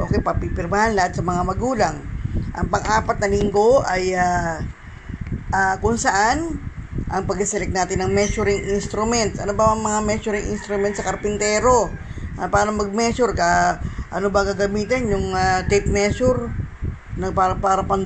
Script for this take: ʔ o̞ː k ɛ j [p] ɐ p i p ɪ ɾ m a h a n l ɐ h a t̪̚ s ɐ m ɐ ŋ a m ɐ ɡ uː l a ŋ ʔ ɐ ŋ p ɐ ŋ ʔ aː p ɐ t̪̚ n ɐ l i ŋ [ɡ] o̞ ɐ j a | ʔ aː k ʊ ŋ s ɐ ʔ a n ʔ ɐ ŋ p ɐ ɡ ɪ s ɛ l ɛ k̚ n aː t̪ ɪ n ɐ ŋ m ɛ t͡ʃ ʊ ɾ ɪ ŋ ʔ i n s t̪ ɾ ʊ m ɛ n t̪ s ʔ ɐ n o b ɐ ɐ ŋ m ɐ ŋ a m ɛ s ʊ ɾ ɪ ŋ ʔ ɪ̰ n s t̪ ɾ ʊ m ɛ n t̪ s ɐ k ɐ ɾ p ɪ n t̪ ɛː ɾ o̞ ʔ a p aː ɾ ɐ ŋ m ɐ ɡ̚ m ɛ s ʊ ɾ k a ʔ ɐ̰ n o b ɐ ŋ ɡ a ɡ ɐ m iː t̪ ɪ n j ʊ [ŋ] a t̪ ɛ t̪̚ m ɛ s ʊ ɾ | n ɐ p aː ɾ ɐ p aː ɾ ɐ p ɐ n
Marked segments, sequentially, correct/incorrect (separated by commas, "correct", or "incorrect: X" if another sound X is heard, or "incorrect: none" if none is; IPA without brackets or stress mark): correct, correct, correct